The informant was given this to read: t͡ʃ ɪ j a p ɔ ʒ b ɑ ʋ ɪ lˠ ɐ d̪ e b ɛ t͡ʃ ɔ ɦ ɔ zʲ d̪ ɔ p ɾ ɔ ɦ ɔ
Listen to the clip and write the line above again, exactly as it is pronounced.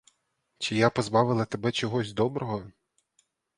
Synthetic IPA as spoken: t͡ʃ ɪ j a p ɔ z b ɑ ʋ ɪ lˠ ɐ t̪ e b ɛ t͡ʃ ɔ ɦ ɔ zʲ d̪ ɔ b ɾ ɔ ɦ ɔ